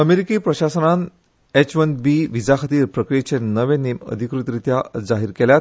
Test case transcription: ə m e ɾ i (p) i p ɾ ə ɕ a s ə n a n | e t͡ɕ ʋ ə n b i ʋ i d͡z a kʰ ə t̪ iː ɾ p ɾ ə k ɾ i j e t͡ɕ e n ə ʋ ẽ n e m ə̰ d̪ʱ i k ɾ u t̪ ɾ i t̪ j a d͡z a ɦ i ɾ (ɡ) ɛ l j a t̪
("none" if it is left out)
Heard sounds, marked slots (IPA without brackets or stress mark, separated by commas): k, k